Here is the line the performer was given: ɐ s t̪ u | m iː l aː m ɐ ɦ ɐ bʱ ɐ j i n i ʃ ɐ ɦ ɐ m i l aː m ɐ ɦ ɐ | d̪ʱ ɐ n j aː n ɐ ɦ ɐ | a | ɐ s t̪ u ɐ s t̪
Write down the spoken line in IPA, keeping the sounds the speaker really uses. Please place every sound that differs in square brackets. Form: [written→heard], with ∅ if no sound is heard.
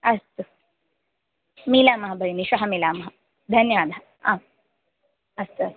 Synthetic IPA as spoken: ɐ s t̪ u | m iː l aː m ɐ ɦ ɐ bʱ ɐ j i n i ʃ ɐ ɦ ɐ m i l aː m ɐ ɦ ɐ | d̪ʱ ɐ n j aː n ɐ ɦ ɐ | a | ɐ s t̪ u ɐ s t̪